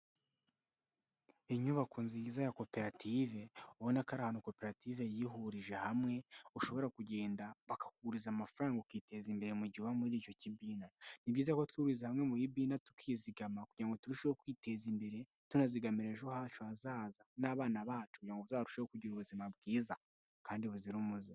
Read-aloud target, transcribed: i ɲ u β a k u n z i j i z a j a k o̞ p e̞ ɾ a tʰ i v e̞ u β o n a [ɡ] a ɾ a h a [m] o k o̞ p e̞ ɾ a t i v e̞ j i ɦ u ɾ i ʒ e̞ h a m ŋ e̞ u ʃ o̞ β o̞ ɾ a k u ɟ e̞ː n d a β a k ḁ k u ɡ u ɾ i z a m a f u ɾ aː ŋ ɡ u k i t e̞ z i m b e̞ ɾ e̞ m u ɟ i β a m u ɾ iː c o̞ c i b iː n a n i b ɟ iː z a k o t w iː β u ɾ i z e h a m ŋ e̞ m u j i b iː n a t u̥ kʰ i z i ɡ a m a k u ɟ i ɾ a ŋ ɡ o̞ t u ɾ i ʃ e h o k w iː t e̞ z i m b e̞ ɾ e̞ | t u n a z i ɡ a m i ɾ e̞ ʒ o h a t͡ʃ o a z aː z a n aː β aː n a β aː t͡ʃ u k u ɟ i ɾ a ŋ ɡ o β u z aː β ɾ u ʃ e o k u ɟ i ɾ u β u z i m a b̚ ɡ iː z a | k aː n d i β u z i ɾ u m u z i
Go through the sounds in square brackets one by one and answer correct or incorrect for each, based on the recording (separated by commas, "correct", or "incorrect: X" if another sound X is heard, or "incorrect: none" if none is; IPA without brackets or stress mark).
incorrect: k, incorrect: n